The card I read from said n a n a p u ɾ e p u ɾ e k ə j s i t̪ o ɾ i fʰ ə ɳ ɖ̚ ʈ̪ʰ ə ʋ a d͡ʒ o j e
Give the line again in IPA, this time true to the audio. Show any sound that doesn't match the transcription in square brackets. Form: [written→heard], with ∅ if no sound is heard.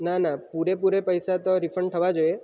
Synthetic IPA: n a n a p u ɾ e p u ɾ e [k→p] ə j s [i→a] t̪ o ɾ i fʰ ə ɳ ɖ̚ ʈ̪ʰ ə ʋ a d͡ʒ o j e